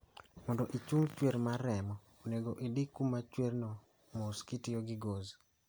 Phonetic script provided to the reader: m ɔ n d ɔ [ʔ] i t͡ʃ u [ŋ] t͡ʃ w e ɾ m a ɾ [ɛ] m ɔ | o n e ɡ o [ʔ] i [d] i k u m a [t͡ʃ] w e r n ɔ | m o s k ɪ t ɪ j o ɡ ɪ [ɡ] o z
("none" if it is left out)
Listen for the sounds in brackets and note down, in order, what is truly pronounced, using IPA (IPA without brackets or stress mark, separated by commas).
ʔ, ŋ, ɛ, ʔ, d, t͡ʃ, ɡ